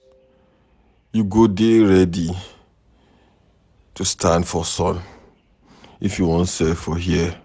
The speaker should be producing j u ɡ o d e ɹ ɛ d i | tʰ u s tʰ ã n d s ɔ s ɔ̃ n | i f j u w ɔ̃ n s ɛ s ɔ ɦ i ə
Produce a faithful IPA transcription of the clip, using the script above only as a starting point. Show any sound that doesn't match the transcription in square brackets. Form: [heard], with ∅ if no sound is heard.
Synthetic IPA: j u ɡ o d e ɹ ɛ d i | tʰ u s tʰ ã n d [f] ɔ s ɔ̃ n | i f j u w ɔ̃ n s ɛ [f] ɔ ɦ i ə